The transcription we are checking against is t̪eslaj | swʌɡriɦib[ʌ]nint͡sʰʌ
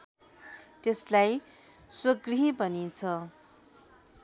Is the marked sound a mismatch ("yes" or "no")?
no